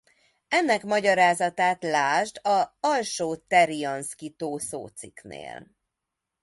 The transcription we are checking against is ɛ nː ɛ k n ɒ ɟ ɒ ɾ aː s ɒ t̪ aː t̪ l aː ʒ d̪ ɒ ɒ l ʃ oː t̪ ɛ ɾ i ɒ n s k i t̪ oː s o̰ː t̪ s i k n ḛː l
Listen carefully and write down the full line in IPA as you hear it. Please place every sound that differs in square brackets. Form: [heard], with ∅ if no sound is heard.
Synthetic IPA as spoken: ɛ nː ɛ k [m] ɒ ɟ ɒ ɾ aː [z] ɒ t̪ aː t̪ l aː ʒ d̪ ɒ ɒ l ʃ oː t̪ ɛ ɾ i ɒ n s k i t̪ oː s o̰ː t̪ s i k n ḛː l